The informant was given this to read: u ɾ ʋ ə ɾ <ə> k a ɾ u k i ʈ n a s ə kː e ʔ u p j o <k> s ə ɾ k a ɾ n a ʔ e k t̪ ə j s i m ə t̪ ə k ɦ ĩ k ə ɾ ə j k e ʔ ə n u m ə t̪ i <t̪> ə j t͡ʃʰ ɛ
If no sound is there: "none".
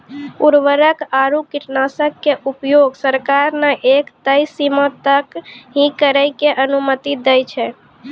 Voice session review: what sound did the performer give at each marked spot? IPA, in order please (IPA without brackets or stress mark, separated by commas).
ə, ɡ, d̪